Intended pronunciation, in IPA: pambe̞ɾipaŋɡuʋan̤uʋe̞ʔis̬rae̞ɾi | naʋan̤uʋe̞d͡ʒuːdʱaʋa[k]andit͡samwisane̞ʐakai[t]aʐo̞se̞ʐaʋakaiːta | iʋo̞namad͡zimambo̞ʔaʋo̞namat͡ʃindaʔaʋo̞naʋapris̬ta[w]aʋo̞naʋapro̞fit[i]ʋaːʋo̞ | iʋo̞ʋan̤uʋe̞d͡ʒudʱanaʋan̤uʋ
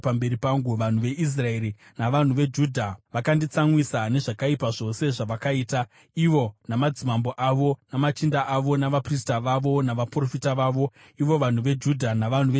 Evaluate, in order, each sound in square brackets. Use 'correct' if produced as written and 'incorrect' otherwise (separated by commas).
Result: correct, incorrect, incorrect, incorrect